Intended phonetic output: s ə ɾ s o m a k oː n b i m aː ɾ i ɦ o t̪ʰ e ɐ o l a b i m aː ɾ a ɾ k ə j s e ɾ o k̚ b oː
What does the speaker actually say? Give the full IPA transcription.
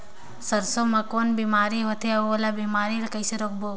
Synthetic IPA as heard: s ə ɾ s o m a k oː n b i m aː ɾ i ɦ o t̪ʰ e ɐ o l a b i m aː ɾ i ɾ k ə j s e ɾ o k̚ b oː